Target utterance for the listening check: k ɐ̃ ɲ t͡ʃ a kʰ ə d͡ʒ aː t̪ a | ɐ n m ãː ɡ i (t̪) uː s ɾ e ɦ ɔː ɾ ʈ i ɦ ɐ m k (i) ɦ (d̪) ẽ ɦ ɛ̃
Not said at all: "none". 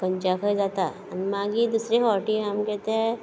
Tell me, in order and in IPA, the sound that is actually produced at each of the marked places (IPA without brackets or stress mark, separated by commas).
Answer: d̪, ɛ, t̪